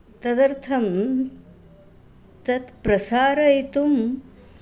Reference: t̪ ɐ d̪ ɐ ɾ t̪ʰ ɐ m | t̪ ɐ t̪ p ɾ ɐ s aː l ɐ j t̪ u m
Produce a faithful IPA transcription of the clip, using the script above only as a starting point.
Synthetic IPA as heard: t̪ ɐ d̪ ɐ ɾ t̪ʰ ɐ m | t̪ ɐ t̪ p ɾ ɐ s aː ɾ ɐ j t̪ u m